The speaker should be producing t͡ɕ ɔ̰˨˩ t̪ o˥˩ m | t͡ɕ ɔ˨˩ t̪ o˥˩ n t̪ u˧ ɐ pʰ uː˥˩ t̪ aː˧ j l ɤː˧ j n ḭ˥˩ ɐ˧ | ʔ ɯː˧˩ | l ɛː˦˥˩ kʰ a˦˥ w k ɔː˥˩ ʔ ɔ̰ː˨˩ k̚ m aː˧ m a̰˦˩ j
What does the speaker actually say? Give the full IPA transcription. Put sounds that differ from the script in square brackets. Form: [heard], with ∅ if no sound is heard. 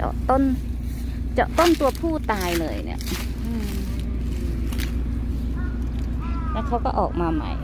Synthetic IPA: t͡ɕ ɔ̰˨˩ t̪ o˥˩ [n] | t͡ɕ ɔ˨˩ t̪ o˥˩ n t̪ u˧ ɐ pʰ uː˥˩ t̪ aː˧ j l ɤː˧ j n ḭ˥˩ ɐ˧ | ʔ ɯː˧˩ | l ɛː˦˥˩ kʰ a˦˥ w k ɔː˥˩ ʔ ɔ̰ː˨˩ k̚ m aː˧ m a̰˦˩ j

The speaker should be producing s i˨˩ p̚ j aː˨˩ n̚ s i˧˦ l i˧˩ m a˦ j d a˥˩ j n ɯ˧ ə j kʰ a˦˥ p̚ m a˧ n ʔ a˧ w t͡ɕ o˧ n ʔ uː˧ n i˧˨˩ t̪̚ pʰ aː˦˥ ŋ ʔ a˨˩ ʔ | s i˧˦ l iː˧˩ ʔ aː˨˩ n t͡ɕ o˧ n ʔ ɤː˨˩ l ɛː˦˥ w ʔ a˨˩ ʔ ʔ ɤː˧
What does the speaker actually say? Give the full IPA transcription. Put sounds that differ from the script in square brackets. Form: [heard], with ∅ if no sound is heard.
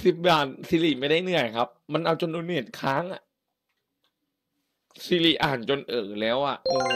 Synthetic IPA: s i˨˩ p̚ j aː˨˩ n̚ s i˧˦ l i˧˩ m [a˥˩] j d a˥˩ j n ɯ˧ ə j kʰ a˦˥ p̚ m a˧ n ʔ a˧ w t͡ɕ o˧ n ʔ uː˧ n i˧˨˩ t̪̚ [kʰ] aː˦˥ ŋ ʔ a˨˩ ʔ | s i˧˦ l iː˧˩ ʔ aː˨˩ n t͡ɕ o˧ n ʔ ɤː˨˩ l ɛː˦˥ w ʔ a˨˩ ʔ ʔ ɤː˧

